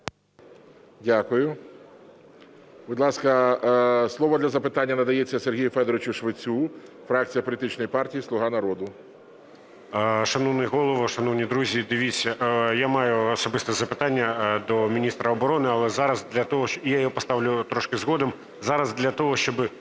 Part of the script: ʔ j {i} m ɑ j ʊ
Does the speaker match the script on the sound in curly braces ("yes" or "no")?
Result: no